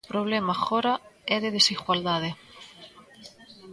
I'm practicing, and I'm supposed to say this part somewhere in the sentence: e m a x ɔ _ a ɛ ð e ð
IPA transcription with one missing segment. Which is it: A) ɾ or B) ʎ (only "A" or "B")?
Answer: A